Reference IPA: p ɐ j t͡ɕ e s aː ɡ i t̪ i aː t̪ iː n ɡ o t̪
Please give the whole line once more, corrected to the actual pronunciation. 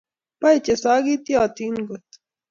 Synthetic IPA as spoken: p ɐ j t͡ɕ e s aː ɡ i t̪ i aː t̪ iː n ɡ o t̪

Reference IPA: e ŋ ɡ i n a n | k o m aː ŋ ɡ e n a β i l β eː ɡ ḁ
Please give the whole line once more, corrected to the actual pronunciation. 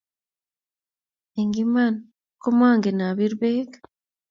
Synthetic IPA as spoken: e ŋ ɡ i m a n | k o m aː ŋ ɡ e n a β i ɾ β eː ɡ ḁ

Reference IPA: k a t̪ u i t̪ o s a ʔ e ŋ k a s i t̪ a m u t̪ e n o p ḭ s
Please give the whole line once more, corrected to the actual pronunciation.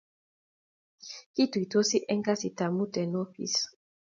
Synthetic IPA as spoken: k i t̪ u i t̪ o s i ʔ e ŋ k a s i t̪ a m u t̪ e n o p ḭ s

